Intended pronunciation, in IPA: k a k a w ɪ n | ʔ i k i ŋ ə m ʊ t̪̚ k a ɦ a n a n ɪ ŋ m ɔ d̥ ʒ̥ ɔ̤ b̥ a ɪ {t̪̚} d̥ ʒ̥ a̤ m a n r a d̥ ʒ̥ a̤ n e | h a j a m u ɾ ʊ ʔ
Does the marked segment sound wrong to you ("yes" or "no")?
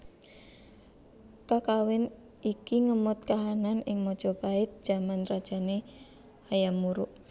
no